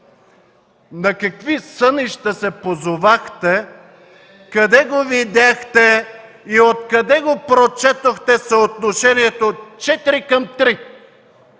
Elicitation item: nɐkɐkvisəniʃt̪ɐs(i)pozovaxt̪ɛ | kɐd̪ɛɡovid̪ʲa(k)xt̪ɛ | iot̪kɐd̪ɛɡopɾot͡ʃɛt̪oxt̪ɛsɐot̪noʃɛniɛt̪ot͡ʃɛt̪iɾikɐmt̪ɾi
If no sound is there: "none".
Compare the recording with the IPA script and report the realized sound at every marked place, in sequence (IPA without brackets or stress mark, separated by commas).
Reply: ɛ, none